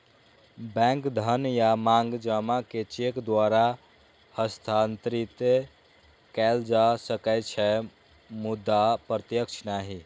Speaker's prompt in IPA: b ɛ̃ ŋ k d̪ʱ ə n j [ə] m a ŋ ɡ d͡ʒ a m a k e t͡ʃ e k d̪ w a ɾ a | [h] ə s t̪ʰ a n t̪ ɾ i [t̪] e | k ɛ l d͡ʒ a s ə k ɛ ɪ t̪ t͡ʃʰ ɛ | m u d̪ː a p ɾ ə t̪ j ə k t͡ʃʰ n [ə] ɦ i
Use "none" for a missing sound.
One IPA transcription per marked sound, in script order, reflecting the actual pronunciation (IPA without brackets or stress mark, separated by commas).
a, h, t̪, a